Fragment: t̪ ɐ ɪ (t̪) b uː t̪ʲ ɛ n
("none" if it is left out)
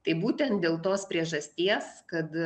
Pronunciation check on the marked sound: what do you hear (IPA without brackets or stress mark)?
none